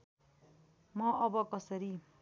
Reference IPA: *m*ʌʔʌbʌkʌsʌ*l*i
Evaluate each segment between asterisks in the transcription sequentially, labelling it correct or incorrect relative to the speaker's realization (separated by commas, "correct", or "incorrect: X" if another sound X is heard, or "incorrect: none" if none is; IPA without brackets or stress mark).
correct, incorrect: ɾ